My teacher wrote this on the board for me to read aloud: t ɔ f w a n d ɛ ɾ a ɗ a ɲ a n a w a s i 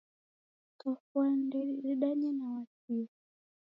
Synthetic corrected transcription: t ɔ f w a n d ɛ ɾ i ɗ a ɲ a n a w a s i